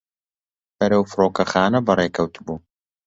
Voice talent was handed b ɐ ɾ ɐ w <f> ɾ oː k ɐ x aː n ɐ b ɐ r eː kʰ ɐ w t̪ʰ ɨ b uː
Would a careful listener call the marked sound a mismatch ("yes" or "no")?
no